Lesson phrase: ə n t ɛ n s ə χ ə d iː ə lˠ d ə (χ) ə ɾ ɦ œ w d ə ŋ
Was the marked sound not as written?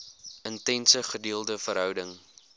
yes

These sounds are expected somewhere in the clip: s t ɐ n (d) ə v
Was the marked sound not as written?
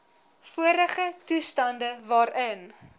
no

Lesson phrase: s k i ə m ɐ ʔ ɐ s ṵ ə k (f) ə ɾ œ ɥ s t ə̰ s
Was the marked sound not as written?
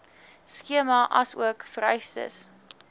no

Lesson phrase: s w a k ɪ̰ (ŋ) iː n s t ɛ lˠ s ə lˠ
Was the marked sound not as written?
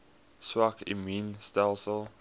yes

